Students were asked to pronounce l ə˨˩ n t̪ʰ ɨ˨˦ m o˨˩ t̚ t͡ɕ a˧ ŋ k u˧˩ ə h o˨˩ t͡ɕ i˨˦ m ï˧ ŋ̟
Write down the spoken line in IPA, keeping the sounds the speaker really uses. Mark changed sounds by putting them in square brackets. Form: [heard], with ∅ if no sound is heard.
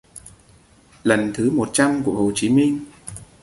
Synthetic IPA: l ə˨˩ n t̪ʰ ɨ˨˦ m o˨˩ t̚ t͡ɕ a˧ [m] k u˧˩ ə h o˨˩ t͡ɕ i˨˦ m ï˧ ŋ̟

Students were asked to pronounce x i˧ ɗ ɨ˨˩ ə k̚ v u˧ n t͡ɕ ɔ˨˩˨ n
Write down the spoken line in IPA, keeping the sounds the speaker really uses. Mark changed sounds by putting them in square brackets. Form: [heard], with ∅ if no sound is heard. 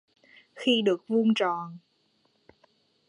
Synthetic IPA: x i˧ ɗ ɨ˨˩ ə k̚ v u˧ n t͡ɕ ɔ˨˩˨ n

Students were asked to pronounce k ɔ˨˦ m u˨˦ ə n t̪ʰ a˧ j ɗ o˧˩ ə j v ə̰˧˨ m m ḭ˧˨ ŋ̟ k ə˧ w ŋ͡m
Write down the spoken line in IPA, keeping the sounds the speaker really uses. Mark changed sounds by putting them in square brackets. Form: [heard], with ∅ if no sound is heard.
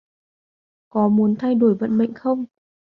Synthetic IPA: k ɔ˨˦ m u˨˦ ə n t̪ʰ a˧ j ɗ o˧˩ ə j v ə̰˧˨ [n] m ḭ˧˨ ŋ̟ [x] ə˧ w ŋ͡m

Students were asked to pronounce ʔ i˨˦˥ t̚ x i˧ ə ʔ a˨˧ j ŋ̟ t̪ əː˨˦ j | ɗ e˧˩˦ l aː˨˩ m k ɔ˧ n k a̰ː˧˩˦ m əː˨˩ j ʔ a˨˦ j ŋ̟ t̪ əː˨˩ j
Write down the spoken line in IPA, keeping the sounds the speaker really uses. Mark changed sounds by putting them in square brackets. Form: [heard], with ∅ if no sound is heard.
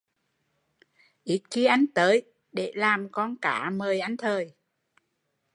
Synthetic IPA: ʔ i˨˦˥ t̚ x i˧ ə ʔ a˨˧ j ŋ̟ t̪ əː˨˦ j | ɗ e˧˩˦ l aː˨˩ m k ɔ˧ n k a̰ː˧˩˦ m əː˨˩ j ʔ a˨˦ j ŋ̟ [t̪ʰ] əː˨˩ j

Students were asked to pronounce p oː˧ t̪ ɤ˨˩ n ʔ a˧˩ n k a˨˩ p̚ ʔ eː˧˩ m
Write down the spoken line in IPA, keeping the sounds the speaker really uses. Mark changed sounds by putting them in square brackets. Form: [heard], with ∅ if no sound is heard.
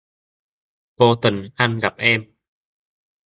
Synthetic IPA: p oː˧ t̪ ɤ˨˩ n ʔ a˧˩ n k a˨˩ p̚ ʔ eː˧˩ m

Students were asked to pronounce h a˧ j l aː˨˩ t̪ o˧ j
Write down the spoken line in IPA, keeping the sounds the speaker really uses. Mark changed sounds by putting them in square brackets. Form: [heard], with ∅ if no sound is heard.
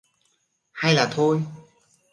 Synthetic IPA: h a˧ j l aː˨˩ [t̪ʰ] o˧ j

